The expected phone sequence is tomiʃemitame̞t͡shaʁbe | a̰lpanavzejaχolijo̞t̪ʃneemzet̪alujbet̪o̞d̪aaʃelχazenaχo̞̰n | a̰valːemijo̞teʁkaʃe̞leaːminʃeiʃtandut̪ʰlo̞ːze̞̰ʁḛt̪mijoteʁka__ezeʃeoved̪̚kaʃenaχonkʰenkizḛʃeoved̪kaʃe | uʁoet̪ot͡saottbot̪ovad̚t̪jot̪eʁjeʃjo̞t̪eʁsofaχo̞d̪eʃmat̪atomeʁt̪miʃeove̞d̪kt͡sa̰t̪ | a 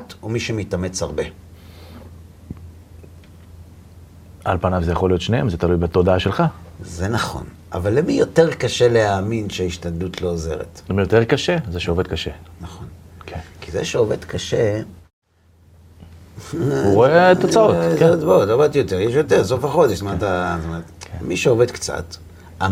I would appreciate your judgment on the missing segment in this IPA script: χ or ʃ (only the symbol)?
ʃ